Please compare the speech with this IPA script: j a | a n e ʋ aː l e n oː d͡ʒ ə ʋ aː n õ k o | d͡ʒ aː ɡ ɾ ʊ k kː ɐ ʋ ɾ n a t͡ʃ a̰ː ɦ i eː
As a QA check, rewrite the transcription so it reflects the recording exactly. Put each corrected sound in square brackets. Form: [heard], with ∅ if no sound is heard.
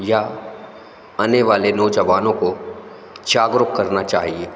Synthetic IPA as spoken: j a | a n e ʋ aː l e n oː d͡ʒ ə ʋ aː n õ k o | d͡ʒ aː ɡ ɾ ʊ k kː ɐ [∅] ɾ n a t͡ʃ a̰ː ɦ i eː